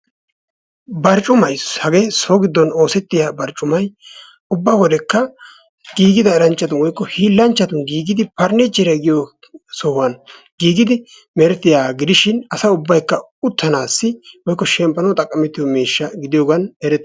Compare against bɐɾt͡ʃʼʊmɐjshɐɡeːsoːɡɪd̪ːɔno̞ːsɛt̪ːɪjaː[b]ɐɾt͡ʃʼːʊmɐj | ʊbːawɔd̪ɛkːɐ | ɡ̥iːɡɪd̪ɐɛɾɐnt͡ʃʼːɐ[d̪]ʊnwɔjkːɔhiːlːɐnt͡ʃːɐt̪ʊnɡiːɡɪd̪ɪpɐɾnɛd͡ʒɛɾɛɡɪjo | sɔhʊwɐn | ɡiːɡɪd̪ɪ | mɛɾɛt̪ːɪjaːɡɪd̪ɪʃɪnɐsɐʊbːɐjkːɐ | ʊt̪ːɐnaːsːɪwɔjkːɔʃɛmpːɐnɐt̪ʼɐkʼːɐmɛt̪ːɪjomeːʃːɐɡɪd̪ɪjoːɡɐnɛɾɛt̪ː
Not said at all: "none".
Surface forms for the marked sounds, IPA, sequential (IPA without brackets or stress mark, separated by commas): b, t̪